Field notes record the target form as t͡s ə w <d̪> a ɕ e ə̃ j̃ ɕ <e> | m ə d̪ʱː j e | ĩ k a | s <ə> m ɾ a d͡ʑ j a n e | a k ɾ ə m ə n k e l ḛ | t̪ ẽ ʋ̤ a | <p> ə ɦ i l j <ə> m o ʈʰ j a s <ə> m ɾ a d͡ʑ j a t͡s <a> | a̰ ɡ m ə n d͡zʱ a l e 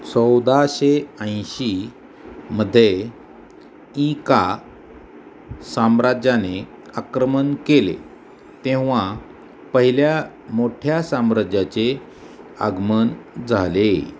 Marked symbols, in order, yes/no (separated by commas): yes, no, no, yes, no, no, no